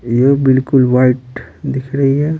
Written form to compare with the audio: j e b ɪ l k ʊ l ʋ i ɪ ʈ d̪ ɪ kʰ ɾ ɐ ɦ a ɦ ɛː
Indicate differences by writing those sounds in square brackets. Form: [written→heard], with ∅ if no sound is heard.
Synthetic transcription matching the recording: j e b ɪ l k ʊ l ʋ [i→a] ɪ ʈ d̪ ɪ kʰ ɾ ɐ ɦ [a→i] ɦ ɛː